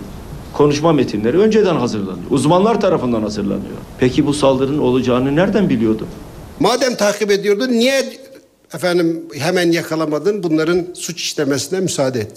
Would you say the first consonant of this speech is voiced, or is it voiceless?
voiceless